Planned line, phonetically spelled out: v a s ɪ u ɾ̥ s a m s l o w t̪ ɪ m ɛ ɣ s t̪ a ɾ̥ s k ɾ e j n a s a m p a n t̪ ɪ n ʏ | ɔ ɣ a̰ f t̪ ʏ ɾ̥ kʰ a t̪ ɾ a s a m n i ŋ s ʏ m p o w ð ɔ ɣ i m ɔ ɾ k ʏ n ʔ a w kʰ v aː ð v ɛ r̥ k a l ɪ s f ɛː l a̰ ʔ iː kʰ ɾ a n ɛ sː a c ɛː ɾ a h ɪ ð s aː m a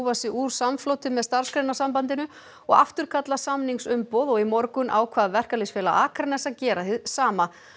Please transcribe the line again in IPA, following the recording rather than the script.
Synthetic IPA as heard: v a s ɪ u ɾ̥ s a m f l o w t̪ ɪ m ɛ ð s t̪ a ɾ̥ s k ɾ e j n a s a m p a n t̪ ɪ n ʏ | ɔ ɣ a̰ f t̪ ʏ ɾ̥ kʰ a t̪ l a s a m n i ŋ s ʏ m p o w ð ɔ ɣ i m ɔ ɾ k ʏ n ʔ a w kʰ v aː ð v ɛ r̥ k a l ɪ s f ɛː l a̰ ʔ aː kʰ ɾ a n ɛ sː a c ɛː ɾ a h ɪ ð s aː m a